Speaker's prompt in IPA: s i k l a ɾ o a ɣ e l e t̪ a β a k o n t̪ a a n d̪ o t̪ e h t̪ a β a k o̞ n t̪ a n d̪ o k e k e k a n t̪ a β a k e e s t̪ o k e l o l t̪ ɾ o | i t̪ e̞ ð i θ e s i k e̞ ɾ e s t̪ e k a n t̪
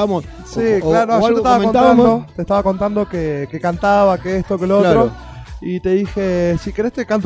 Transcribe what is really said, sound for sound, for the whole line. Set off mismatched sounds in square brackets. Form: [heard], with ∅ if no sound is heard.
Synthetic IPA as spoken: s i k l a ɾ o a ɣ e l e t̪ a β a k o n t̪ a a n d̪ o t̪ e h t̪ a β a k o̞ n t̪ a n d̪ o k e k e k a n t̪ a β a k e e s t̪ o k e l o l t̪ ɾ o | i t̪ e̞ ð i [x] e s i k e̞ ɾ e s t̪ e k a n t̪